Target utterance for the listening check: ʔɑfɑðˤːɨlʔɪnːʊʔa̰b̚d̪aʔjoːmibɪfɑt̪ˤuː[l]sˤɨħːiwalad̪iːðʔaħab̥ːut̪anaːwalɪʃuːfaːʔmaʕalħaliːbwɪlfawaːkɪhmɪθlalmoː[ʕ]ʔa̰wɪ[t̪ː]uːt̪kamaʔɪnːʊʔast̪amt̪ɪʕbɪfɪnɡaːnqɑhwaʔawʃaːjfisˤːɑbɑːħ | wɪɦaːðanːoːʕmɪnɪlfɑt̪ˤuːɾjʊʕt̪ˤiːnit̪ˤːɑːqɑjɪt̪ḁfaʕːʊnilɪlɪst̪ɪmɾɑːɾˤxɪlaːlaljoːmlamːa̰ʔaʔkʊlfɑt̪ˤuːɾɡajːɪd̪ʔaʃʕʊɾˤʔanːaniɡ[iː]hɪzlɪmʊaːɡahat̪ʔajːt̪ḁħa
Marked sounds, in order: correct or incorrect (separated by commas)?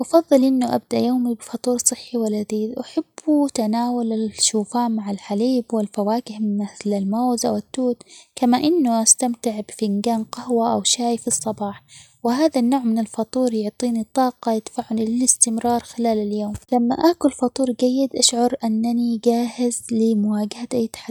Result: incorrect, incorrect, correct, incorrect